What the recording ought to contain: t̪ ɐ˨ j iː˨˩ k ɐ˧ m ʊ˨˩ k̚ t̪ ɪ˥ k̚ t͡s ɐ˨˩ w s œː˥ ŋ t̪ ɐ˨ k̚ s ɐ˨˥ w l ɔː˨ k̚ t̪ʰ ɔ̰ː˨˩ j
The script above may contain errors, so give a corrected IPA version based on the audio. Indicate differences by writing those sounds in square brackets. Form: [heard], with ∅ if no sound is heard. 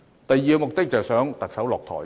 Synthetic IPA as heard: t̪ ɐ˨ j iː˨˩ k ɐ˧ m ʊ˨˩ k̚ t̪ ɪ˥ k̚ t͡s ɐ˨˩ w s [œː˨˥] ŋ t̪ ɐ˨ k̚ s ɐ˨˥ w l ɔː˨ k̚ t̪ʰ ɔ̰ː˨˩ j

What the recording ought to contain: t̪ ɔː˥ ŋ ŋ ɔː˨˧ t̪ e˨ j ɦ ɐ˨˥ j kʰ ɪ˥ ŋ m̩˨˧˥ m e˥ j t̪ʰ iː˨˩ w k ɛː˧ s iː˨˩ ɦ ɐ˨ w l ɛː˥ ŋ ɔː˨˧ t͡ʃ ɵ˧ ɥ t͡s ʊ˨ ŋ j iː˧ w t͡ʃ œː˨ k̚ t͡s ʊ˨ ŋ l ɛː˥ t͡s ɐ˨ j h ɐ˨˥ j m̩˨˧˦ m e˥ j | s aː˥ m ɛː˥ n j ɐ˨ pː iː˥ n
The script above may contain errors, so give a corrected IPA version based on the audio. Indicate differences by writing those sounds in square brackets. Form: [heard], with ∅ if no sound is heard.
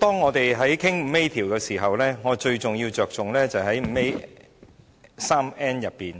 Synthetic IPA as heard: t̪ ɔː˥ ŋ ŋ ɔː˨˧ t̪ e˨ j ɦ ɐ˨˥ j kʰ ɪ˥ ŋ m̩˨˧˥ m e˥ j t̪ʰ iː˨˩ w k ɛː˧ s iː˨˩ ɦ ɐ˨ w l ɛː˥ ŋ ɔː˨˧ t͡ʃ ɵ˧ ɥ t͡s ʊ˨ ŋ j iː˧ w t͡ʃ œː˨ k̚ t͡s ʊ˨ ŋ l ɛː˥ t͡s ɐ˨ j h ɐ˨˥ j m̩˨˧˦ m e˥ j | s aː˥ m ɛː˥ n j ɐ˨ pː [iː˨] n

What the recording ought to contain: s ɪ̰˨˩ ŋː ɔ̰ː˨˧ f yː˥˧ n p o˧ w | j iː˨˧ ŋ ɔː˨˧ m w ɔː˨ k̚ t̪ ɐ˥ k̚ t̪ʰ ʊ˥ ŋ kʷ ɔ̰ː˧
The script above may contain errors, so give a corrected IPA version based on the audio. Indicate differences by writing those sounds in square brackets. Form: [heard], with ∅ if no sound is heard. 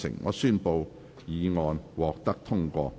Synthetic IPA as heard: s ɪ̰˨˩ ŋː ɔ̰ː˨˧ [s] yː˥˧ n p o˧ w | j iː˨˧ ŋ ɔː˨˧ [n] w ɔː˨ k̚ t̪ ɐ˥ k̚ t̪ʰ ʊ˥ ŋ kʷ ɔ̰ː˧

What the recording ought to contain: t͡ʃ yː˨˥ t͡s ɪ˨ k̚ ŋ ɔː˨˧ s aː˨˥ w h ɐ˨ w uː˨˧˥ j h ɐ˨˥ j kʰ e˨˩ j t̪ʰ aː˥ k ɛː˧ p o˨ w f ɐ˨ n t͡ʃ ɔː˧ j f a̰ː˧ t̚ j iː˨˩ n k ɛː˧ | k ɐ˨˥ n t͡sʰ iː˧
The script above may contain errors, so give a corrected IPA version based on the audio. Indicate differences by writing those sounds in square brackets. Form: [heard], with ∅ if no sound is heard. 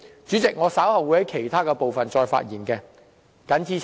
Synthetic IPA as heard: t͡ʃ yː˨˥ t͡s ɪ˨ k̚ ŋ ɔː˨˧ s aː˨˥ w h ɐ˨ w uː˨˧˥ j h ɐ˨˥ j kʰ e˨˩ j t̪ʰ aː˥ k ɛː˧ p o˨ w f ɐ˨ n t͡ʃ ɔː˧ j f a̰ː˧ t̚ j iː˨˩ n k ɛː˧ | k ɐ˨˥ n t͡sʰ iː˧

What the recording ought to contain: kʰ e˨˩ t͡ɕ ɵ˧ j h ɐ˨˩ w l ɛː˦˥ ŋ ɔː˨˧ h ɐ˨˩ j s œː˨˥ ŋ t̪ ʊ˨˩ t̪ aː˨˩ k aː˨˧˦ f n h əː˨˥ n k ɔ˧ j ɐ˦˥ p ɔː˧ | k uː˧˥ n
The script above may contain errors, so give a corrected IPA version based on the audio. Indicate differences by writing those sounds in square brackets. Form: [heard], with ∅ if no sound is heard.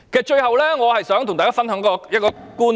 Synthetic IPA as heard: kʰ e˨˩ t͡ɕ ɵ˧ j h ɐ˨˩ w l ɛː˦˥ ŋ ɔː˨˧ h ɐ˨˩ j s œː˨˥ ŋ t̪ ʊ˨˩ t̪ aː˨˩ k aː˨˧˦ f n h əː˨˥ [ŋ] k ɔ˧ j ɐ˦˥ [k] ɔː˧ | k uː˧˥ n

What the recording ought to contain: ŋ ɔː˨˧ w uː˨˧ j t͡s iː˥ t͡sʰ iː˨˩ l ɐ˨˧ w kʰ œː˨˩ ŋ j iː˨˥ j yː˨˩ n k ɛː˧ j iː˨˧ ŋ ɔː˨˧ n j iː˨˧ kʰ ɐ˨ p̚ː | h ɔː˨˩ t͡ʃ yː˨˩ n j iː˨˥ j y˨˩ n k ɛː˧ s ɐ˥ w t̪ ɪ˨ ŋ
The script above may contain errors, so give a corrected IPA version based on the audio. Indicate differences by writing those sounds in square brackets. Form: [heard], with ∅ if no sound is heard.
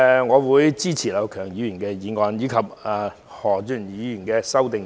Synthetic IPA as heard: ŋ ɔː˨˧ w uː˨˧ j t͡s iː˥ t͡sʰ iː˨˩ l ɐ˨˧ w kʰ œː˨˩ ŋ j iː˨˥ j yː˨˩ n k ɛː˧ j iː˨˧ ŋ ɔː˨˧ n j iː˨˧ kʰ ɐ˨ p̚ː | h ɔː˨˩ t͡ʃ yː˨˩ n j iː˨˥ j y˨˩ n k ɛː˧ s ɐ˥ w t̪ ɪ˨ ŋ

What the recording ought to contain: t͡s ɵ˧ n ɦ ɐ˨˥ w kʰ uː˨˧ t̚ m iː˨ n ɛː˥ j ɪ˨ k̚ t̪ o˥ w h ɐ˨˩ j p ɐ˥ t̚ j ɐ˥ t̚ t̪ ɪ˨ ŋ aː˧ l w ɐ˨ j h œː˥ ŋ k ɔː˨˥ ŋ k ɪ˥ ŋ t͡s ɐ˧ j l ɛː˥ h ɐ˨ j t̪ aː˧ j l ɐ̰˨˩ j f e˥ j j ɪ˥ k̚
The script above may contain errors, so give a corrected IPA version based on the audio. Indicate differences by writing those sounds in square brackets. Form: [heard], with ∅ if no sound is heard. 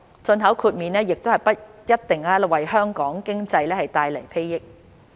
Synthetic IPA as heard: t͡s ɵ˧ n ɦ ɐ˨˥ w kʰ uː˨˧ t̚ m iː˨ n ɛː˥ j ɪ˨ k̚ t̪ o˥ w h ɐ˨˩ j p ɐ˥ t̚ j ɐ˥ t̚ t̪ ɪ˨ ŋ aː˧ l w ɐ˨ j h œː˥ ŋ k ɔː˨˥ ŋ k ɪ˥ ŋ t͡s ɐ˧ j l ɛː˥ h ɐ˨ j t̪ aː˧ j l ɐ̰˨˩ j f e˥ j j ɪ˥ k̚

